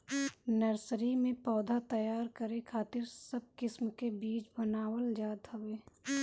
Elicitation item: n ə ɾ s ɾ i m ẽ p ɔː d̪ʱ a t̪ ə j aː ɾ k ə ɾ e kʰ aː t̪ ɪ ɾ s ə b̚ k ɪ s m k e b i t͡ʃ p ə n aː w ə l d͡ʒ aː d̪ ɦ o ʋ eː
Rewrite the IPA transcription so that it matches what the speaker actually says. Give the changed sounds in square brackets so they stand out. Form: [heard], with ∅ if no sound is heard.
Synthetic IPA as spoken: n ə ɾ s ɾ i m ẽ p ɔː d̪ʱ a t̪ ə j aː ɾ k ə ɾ e kʰ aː t̪ ɪ ɾ s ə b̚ k ɪ s m k e b [iː] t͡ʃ [b] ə n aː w ə l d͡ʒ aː d̪ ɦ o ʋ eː